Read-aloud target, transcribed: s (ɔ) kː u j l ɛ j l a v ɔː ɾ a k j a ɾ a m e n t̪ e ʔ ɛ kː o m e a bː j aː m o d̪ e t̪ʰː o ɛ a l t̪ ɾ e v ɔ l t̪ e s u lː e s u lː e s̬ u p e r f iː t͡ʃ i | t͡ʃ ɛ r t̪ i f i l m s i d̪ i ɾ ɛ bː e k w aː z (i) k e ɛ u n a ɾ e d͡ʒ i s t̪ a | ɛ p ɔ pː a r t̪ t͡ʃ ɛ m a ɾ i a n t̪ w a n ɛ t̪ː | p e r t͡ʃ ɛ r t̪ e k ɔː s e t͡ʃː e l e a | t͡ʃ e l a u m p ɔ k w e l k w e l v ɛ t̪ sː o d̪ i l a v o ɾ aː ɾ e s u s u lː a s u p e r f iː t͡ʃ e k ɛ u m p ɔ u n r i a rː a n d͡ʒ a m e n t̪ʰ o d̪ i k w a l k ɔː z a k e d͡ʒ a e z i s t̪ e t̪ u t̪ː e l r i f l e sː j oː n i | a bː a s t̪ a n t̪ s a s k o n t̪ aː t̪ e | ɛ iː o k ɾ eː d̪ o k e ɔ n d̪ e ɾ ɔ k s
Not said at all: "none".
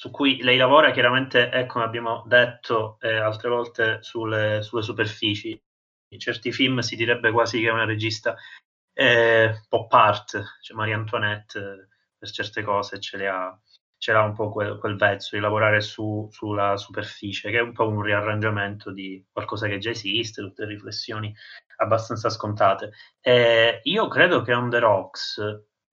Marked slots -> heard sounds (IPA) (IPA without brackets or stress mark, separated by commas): u, i